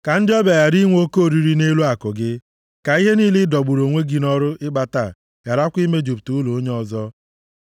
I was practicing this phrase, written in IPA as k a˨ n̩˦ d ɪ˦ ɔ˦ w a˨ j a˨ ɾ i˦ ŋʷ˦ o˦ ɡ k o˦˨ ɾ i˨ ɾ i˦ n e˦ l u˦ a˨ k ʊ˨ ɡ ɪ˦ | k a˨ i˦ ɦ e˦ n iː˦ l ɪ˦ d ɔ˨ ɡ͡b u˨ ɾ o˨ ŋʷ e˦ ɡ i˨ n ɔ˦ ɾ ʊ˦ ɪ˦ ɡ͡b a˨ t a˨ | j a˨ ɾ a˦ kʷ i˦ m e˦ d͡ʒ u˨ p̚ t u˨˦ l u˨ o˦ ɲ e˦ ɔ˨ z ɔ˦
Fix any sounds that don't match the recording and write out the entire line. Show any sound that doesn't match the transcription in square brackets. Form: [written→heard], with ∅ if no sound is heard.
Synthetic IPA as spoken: k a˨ n̩˦ d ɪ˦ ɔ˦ [w→b] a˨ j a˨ ɾ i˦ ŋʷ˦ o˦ [ɡ→∅] k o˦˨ ɾ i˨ ɾ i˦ n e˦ l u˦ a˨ k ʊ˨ ɡ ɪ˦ | k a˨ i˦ ɦ e˦ n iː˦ l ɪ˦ d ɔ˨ ɡ͡b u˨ ɾ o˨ ŋʷ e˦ ɡ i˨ n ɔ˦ ɾ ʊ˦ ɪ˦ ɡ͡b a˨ t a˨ | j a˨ ɾ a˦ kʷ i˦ m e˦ d͡ʒ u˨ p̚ t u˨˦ l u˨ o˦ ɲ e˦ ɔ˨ z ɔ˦